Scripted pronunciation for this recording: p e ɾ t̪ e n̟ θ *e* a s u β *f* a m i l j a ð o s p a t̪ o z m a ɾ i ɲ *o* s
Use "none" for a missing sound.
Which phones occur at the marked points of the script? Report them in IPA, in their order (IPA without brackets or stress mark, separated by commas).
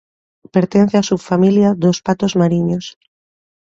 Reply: e, f, o